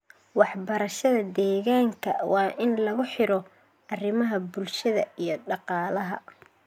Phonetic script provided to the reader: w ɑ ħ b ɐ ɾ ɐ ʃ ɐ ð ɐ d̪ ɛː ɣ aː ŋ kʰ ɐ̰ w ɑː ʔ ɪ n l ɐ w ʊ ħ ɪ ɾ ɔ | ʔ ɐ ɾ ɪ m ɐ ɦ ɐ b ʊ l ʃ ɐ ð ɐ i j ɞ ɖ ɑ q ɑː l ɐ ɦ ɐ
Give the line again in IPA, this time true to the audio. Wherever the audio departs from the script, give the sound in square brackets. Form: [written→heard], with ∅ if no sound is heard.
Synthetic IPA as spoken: w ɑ ħ b ɐ ɾ ɐ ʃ ɐ ð ɐ d̪ ɛː ɣ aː ŋ kʰ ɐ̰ w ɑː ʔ ɪ n l ɐ [w→ɣ] ʊ ħ ɪ ɾ ɔ | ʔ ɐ [ɾ→r] ɪ m ɐ ɦ ɐ b ʊ l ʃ ɐ ð ɐ i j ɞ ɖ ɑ q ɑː l ɐ ɦ ɐ